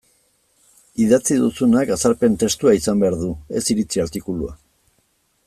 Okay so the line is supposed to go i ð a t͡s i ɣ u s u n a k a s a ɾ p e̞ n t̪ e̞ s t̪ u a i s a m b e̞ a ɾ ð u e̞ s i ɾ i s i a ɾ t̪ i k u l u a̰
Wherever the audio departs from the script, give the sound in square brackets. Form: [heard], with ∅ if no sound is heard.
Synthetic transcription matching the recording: i ð a t͡s i [ð] u s u n a k a s a ɾ p e̞ n t̪ e̞ s t̪ u a i s a m b e̞ a ɾ ð u e̞ s i ɾ i [t͡s] i a ɾ t̪ i k u l u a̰